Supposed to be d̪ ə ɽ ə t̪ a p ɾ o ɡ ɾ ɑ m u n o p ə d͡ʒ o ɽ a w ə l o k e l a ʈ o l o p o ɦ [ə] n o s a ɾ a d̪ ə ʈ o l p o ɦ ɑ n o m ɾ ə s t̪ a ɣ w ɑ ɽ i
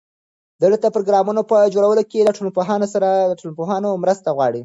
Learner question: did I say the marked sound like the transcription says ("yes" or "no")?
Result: no